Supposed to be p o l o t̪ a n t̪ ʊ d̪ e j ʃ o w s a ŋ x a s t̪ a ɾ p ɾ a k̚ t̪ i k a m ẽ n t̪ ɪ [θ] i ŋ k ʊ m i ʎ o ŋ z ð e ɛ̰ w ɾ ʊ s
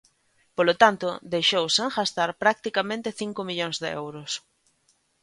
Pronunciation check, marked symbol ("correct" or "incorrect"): correct